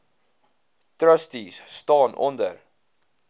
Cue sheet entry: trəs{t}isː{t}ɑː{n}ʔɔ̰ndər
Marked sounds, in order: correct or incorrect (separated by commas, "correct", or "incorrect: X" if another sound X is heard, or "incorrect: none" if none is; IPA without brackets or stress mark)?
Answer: correct, correct, correct